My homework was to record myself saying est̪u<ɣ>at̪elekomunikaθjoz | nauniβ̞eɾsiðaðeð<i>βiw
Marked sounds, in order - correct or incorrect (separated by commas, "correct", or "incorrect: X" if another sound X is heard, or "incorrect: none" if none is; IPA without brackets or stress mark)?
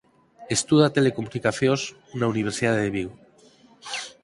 incorrect: ð, incorrect: e